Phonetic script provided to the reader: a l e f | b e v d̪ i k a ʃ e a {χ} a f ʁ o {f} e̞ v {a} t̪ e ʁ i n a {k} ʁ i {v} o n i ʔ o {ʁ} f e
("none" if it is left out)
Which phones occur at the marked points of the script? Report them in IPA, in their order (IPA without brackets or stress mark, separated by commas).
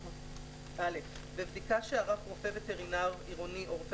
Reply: ʁ, f, e, none, ʁ, ʁ